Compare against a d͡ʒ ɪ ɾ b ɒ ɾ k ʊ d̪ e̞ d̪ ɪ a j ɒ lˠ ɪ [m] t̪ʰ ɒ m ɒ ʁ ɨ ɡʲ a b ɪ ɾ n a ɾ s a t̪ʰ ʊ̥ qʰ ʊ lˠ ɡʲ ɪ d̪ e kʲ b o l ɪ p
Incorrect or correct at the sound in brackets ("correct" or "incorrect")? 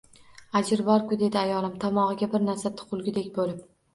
correct